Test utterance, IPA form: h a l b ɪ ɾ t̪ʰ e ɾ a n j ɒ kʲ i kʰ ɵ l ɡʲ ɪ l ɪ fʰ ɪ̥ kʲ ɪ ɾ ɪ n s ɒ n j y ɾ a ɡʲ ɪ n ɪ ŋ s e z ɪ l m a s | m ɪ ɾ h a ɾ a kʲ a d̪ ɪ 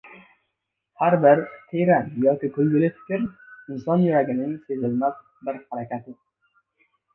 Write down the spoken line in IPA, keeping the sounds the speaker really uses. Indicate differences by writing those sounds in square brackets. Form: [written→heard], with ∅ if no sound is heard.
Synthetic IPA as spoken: h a [l→ɾ] b ɪ ɾ t̪ʰ e ɾ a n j ɒ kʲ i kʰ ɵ l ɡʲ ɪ l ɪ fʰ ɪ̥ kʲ ɪ ɾ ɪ n s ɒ n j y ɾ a ɡʲ ɪ n ɪ ŋ s e z ɪ l m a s | [m→b] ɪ ɾ h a ɾ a kʲ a [d̪→t̪] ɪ